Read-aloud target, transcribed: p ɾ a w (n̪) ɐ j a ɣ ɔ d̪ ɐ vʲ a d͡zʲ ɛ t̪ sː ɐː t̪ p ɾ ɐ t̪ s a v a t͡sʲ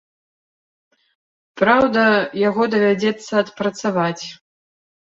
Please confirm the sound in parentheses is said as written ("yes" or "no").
no